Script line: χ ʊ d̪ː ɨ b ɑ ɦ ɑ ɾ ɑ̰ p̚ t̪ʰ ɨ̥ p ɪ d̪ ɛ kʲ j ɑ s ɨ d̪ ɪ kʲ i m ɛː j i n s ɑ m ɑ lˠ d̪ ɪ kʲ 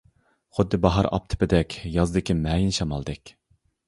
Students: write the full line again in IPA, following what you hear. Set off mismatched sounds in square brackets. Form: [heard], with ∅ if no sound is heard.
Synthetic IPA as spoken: χ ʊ d̪ː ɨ b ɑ ɦ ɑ ɾ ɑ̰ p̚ t̪ʰ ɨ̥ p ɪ d̪ ɛ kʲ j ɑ [z] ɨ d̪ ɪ kʲ i m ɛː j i n [ʃ] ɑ m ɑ lˠ d̪ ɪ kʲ